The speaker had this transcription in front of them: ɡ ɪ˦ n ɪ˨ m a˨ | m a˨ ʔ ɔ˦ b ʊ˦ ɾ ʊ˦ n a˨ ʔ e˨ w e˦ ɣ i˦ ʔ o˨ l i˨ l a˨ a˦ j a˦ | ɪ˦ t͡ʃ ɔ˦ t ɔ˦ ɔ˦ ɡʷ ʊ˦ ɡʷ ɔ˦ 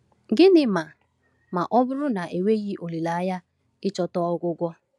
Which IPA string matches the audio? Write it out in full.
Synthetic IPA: ɡ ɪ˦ n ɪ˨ m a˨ | m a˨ ʔ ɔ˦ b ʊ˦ ɾ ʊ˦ n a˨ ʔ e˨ w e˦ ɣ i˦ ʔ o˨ l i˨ l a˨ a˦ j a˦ | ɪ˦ t͡ʃ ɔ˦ t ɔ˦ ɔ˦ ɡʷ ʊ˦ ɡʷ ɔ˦